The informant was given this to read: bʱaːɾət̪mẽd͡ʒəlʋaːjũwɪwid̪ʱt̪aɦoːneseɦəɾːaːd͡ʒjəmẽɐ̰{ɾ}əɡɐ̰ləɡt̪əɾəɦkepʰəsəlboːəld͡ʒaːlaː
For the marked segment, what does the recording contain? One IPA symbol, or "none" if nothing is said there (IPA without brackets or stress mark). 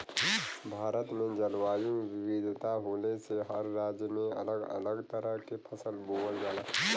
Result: l